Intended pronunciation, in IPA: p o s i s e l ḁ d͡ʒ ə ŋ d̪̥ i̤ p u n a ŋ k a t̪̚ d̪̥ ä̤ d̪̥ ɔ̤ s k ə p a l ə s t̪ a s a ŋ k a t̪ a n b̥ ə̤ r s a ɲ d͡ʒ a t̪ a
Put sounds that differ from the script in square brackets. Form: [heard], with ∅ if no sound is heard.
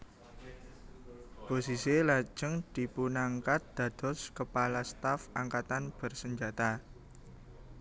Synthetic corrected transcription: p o s i s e l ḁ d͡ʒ ə ŋ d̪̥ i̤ p u n a ŋ k a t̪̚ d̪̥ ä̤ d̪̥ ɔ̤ s k ə p a l [a] s t̪ a [f] a ŋ k a t̪ a n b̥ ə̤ r s [ə] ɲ d͡ʒ a t̪ a